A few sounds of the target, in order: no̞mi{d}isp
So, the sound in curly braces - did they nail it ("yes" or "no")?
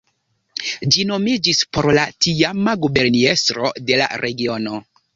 no